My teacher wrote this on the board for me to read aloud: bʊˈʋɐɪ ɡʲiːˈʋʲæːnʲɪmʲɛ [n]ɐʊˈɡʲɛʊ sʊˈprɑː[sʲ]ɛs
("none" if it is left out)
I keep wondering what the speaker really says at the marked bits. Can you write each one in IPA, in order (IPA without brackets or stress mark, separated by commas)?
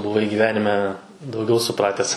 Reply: d, tʲ